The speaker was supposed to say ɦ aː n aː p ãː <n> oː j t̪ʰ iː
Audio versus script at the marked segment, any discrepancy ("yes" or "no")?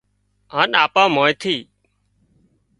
yes